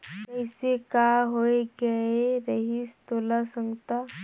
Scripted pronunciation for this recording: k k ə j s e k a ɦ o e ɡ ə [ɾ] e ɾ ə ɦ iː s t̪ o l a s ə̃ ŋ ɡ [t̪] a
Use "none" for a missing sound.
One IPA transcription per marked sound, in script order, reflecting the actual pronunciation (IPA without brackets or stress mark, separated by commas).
none, t̪